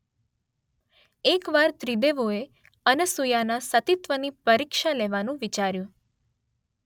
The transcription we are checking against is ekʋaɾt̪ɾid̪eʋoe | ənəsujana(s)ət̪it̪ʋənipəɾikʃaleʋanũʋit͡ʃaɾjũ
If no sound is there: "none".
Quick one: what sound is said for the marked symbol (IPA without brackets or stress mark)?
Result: s